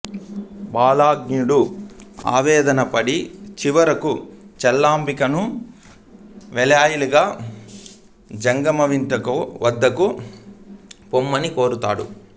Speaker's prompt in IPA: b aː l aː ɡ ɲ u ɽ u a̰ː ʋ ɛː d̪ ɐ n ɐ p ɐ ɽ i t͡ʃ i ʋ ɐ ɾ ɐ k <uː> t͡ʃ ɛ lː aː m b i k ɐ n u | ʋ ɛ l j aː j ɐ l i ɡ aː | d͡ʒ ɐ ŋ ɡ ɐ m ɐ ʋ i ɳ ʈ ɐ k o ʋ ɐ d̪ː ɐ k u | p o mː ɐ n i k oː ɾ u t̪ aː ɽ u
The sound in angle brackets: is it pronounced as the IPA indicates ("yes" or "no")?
no